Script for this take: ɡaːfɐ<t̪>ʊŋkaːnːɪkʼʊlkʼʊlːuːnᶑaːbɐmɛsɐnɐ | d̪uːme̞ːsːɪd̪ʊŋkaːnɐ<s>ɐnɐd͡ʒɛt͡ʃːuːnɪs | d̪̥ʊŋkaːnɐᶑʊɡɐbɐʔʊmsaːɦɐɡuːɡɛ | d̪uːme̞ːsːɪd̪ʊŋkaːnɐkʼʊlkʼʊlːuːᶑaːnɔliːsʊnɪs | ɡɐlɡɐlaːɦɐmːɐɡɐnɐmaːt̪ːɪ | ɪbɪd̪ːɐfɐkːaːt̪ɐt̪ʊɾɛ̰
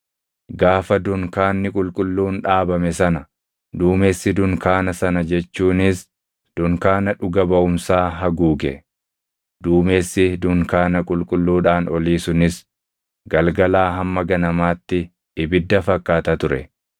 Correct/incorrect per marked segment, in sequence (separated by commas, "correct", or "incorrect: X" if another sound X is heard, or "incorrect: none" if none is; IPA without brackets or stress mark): incorrect: d̪, correct